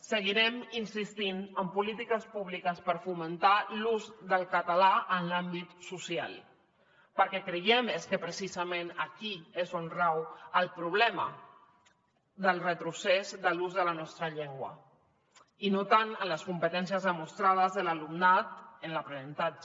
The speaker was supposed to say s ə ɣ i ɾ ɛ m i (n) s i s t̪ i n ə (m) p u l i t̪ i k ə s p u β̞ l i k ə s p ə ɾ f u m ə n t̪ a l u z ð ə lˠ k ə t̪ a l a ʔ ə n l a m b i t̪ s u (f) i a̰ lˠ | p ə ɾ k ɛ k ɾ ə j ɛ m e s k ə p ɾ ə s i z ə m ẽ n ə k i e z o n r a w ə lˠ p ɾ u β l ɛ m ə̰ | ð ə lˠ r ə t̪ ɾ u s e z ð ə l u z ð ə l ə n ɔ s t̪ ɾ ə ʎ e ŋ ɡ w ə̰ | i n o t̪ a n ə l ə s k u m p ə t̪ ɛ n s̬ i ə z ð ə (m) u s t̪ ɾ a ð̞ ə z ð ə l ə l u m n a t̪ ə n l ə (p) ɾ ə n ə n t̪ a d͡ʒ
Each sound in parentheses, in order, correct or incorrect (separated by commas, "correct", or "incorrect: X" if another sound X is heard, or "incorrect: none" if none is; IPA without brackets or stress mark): correct, correct, incorrect: s, correct, correct